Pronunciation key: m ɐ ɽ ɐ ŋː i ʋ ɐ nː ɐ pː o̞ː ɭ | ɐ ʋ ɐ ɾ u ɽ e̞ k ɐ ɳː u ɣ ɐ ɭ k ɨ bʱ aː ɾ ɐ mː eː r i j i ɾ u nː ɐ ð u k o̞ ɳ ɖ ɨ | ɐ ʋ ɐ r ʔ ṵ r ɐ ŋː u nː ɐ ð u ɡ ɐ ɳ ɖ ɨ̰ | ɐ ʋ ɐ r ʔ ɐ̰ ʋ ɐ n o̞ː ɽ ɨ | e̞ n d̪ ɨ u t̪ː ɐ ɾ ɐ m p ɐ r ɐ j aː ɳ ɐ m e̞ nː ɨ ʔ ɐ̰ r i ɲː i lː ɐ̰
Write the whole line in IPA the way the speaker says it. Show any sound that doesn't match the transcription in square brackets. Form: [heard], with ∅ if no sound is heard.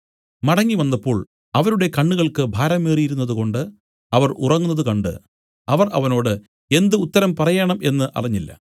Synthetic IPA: m ɐ ɽ ɐ ŋː i ʋ ɐ nː ɐ pː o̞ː ɭ | ɐ ʋ ɐ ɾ u ɽ e̞ k ɐ ɳː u ɣ ɐ ɭ k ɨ bʱ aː ɾ ɐ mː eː r i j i ɾ u nː ɐ ð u k o̞ ɳ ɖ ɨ | ɐ ʋ ɐ r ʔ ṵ r ɐ ŋː u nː ɐ ð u [k] ɐ ɳ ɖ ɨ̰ | ɐ ʋ ɐ r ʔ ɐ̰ ʋ ɐ n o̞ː ɽ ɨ | e̞ n d̪ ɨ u t̪ː ɐ ɾ ɐ m p ɐ r ɐ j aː ɳ ɐ m e̞ nː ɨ ʔ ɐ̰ r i ɲː i lː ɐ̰